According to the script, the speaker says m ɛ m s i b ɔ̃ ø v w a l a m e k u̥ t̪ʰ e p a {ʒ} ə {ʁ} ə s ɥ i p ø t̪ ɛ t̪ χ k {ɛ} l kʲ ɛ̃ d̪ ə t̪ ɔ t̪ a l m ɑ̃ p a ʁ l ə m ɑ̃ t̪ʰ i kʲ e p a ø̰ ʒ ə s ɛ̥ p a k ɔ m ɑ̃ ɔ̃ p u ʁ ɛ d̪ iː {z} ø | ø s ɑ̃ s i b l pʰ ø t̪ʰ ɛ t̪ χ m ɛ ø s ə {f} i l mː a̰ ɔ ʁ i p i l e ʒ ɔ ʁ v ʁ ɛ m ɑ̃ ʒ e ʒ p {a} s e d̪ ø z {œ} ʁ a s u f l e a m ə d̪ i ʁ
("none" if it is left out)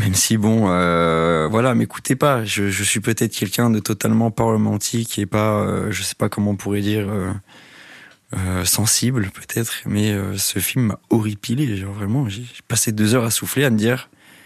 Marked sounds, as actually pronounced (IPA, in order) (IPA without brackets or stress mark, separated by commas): ʒ, ʒ, ɛ, ʁ, f, a, œ